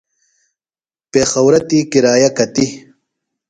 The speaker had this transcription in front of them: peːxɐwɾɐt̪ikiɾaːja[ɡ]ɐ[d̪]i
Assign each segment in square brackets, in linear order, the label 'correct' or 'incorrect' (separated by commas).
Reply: incorrect, incorrect